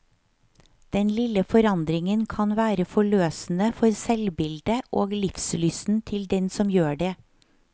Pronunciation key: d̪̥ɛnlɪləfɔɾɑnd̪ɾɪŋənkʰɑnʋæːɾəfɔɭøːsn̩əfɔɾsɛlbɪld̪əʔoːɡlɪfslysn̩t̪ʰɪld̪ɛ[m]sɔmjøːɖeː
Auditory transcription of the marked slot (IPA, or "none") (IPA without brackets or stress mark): n